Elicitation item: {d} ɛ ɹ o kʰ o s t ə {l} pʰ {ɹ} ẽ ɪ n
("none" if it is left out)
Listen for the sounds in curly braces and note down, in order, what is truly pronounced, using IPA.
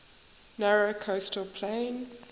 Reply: n, l, l

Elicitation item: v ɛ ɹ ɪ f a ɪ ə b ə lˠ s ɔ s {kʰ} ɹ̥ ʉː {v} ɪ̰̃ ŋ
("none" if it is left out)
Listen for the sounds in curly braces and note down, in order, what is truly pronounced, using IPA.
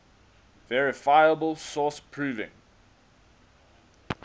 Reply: pʰ, v

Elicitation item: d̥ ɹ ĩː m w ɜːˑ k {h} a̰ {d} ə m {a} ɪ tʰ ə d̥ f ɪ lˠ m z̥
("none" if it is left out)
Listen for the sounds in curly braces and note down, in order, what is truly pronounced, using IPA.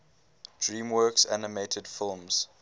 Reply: s, n, e

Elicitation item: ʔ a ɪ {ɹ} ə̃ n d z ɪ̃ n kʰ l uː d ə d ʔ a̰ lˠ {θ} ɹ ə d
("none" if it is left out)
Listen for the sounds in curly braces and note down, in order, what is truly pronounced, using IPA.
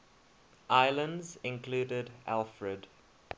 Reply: l, f

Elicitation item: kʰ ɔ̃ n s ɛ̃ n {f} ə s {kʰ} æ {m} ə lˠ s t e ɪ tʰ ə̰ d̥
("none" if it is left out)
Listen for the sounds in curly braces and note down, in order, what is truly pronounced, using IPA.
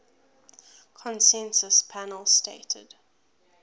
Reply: s, pʰ, n

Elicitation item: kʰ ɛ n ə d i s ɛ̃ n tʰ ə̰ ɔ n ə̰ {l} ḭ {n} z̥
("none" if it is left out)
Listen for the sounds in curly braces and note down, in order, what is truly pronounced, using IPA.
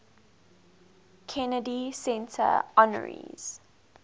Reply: ɹ, none

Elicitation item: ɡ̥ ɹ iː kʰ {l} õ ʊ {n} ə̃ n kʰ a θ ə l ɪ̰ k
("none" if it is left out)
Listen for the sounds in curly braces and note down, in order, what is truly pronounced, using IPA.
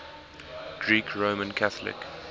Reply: ɹ, m

